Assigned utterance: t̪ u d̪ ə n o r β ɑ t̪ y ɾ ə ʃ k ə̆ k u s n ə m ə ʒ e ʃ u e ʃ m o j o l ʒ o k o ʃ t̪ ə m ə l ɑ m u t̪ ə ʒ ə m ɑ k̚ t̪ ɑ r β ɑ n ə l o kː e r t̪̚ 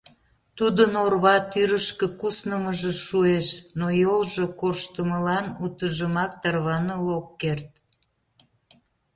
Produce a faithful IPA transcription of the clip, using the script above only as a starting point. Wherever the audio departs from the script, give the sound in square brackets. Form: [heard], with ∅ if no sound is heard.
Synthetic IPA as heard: t̪ u d̪ ə n o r β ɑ t̪ y ɾ ə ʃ k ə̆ k u s n ə m ə ʒ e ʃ u e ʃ [n] o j o l ʒ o k o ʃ t̪ ə m ə l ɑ [n] u t̪ ə ʒ ə m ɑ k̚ t̪ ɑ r β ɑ n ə l o kː e r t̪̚